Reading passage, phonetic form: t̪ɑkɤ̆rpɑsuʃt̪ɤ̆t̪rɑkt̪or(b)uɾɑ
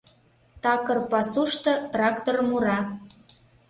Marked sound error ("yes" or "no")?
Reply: yes